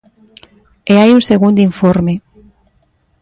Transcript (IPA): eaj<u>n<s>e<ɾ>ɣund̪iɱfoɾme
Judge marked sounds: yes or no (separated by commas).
yes, yes, no